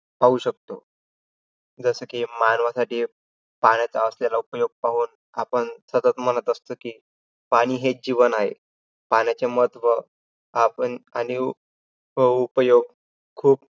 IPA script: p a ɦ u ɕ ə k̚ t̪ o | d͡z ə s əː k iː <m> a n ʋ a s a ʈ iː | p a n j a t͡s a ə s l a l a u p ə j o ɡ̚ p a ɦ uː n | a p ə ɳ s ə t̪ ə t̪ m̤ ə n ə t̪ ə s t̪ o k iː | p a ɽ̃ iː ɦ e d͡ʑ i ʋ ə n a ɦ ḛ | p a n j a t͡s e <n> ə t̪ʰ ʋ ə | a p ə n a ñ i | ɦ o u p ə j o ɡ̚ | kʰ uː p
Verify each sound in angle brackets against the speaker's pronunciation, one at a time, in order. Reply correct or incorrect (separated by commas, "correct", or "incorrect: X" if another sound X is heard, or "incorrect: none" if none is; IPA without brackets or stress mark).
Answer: correct, incorrect: m